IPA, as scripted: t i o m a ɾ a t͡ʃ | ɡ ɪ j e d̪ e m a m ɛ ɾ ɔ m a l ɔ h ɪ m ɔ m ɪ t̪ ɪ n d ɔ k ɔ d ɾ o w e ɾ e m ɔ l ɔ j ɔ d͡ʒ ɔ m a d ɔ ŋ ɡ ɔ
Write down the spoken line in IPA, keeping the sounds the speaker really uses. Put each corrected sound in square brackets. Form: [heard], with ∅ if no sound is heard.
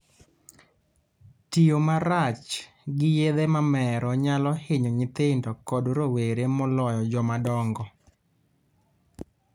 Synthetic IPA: t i o m a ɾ a t͡ʃ | ɡ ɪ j e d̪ e m a m ɛ ɾ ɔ [ɲ] a l ɔ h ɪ [ɲ] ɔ [ɲ] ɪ t̪ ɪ n d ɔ k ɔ d ɾ o w e ɾ e m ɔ l ɔ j ɔ d͡ʒ ɔ m a d ɔ ŋ ɡ ɔ